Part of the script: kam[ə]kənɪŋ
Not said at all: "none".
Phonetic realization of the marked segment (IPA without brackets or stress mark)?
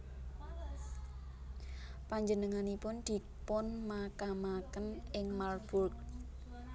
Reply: a